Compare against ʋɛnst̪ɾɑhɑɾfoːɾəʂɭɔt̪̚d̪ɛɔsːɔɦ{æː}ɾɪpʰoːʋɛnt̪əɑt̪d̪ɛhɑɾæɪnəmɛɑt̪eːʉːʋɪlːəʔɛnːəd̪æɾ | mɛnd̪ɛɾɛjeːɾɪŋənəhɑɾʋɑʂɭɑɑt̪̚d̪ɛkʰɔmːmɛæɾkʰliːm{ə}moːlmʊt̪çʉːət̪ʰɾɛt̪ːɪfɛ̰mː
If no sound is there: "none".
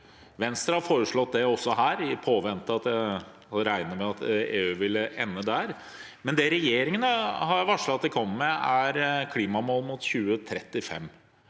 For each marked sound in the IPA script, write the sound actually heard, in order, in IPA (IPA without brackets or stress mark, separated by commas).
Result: æː, ɑ